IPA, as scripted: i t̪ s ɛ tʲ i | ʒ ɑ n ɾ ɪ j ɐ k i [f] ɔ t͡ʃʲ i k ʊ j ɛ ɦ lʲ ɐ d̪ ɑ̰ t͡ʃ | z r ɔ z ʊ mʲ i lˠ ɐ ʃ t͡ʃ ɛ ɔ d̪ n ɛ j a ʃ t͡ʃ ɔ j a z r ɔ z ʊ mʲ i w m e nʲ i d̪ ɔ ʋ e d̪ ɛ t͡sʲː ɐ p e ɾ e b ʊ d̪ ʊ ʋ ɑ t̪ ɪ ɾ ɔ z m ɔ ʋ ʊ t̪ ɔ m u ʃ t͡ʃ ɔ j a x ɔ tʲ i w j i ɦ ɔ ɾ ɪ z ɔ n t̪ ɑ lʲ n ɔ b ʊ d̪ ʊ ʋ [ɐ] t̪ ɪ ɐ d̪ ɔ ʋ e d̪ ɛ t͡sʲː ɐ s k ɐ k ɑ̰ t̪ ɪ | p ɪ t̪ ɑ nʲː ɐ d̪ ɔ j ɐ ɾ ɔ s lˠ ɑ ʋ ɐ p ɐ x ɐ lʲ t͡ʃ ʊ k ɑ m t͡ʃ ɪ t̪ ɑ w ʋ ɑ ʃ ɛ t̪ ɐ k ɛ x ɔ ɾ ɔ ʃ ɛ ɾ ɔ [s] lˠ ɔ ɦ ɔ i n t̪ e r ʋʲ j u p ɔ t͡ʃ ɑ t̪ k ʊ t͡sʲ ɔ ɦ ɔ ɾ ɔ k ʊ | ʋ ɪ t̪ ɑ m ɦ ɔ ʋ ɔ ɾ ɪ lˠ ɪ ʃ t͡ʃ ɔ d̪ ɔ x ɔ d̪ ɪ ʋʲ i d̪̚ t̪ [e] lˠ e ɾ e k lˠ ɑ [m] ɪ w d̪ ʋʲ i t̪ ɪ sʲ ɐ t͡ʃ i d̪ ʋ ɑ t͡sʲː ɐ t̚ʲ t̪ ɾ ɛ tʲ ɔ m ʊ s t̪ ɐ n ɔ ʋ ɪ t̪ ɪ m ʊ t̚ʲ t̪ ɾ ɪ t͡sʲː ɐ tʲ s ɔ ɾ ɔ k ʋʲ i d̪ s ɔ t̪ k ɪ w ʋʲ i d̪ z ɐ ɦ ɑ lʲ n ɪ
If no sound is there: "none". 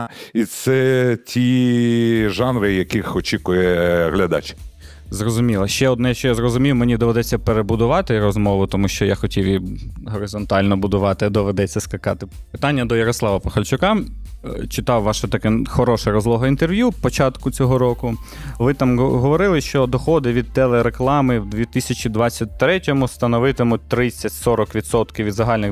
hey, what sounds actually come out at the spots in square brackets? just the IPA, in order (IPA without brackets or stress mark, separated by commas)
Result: x, ɑ, z, ɛ, m